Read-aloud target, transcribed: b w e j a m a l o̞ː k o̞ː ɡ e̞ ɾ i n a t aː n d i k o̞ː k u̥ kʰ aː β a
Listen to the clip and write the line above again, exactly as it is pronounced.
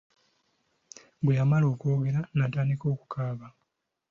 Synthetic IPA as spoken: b w e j a m a l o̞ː k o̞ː ɡ e̞ ɾ a n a t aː n d i k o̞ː k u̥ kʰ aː β a